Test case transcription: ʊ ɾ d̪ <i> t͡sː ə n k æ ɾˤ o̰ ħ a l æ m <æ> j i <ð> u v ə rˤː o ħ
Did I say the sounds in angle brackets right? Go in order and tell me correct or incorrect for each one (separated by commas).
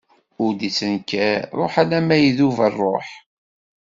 correct, correct, correct